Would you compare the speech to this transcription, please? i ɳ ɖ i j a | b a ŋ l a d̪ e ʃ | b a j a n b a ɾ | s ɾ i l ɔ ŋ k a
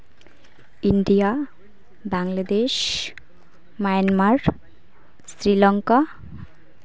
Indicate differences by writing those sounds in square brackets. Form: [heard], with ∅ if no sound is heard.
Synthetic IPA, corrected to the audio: i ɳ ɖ i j a | b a ŋ l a d̪ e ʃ | [m] a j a n [m] a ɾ | s ɾ i l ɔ ŋ k a